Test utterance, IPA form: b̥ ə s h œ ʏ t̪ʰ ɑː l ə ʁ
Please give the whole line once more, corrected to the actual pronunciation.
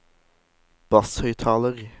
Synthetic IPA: b̥ ɑ s h œ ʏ t̪ʰ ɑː l ə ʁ